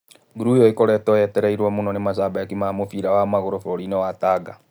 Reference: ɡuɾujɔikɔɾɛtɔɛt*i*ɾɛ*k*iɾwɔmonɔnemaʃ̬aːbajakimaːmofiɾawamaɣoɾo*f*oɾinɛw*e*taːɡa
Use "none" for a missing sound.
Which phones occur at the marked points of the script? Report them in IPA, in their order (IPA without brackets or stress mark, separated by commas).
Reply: ɛ, none, f, a